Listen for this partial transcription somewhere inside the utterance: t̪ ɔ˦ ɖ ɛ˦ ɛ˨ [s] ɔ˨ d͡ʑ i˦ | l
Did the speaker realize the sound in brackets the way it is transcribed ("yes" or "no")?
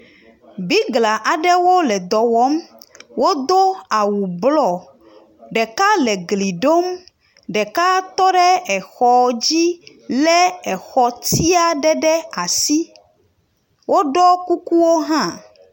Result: no